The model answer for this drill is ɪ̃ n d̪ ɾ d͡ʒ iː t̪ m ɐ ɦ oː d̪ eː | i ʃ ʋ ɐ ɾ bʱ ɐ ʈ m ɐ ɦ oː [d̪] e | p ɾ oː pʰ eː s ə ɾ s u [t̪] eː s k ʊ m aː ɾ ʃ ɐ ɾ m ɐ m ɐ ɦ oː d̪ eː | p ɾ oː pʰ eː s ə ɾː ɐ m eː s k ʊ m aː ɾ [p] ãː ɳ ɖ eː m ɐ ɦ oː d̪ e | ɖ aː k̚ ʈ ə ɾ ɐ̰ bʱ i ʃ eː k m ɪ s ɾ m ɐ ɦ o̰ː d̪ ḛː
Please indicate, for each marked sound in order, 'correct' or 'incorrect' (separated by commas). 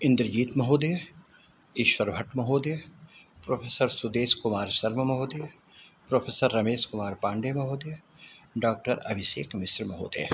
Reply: correct, incorrect, correct